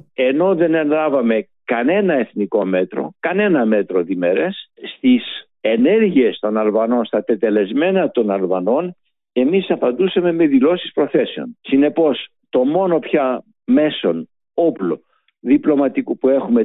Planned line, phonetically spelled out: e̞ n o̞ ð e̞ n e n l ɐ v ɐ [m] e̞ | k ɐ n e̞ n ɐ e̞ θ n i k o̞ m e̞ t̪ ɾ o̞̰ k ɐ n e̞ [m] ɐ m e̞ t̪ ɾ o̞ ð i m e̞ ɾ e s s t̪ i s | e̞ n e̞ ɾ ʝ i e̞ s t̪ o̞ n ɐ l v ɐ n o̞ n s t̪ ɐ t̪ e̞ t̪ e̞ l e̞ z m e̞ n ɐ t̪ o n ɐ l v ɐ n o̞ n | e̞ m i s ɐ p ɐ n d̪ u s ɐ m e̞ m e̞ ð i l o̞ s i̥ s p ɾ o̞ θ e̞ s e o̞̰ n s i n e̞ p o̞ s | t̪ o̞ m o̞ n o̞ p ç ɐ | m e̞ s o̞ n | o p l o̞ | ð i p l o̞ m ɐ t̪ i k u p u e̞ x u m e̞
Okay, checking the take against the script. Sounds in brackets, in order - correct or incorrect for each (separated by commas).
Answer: correct, incorrect